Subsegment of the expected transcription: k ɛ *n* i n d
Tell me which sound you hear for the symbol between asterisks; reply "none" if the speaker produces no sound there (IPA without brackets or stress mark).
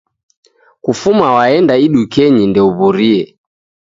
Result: ɲ